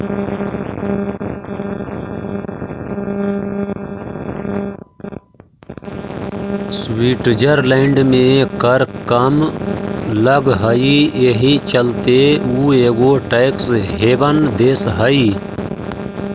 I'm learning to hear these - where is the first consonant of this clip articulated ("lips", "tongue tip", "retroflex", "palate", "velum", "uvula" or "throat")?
tongue tip